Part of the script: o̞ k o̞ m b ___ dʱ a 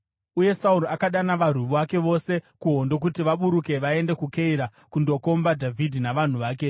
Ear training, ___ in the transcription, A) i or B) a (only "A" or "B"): B